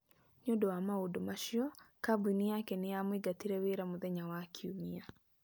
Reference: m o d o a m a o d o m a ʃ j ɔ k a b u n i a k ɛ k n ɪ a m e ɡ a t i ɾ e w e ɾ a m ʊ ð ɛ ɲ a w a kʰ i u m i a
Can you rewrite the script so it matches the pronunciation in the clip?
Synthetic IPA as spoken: ɲ o d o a m a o d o m a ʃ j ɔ k a b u n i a k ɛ n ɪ a m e ɡ a t i ɾ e w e ɾ a m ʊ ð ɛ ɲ a w a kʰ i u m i a